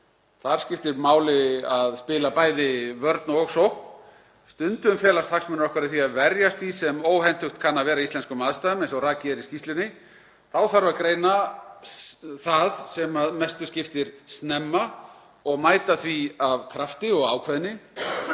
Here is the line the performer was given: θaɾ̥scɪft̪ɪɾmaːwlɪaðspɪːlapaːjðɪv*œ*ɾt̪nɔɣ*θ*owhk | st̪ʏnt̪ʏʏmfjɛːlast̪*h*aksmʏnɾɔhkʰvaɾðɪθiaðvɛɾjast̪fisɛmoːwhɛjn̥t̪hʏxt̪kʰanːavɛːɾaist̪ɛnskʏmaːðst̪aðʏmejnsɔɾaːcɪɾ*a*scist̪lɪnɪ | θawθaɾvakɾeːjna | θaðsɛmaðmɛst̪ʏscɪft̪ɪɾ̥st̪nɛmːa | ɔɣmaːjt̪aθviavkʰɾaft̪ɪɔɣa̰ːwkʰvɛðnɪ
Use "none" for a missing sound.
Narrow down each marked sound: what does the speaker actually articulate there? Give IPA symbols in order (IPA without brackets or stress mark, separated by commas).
œ, s, h, i